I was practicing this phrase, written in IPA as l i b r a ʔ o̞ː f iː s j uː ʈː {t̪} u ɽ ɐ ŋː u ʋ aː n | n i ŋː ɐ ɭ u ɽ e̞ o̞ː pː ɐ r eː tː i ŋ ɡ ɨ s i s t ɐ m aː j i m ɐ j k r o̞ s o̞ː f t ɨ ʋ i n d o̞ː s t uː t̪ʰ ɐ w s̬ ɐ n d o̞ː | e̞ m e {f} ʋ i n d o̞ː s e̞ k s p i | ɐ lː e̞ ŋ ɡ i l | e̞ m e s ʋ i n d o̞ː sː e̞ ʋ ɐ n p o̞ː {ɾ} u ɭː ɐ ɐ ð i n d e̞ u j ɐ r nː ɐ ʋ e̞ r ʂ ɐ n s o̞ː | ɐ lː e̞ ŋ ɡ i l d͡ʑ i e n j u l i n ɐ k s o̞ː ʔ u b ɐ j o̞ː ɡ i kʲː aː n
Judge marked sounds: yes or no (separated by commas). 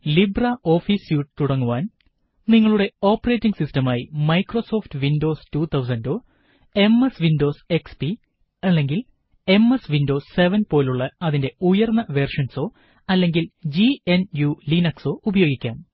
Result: yes, no, no